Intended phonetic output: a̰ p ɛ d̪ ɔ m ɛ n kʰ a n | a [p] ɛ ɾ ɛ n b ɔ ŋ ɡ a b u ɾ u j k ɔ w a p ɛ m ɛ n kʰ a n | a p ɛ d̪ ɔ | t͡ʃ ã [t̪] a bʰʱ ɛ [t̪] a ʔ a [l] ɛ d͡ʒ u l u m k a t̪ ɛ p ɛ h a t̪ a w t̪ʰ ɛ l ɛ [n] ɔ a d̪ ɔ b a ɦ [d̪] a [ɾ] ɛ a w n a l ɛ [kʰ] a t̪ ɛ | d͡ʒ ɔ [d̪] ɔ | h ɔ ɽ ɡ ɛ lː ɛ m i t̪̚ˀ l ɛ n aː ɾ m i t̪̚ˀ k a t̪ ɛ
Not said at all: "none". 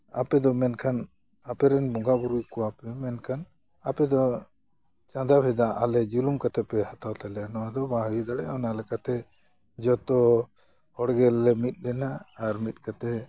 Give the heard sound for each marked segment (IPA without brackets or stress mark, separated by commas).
p, d̪, d̪, l, n, d̪, ɽ, k, t̪